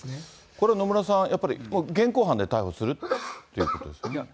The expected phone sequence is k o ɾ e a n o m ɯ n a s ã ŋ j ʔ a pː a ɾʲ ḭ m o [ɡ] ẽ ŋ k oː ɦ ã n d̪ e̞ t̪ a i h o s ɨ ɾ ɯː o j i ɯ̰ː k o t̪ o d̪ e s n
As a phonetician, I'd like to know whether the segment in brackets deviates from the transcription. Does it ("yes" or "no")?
no